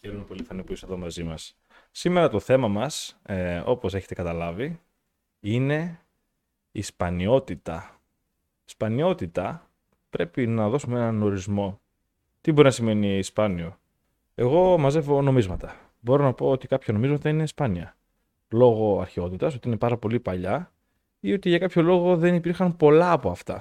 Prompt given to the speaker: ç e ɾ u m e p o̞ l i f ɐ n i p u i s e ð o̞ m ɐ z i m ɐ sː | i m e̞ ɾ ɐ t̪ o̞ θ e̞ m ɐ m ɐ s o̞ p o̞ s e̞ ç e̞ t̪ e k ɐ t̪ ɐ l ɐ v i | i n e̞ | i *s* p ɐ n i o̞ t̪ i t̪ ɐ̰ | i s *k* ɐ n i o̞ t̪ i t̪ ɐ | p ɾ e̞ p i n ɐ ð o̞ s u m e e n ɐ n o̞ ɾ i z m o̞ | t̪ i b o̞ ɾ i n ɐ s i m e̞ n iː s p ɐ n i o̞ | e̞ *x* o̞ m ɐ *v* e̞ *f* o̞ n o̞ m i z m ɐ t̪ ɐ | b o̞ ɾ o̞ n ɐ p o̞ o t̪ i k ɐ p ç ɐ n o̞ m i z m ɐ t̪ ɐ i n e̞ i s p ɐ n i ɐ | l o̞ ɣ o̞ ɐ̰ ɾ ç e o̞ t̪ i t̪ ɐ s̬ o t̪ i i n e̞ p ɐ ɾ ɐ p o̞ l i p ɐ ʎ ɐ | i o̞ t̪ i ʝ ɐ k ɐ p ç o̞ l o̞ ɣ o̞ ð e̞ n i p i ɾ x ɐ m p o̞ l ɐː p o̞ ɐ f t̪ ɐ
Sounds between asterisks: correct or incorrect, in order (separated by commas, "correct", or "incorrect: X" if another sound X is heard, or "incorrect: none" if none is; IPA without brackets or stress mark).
correct, incorrect: p, incorrect: ɣ, incorrect: z, incorrect: v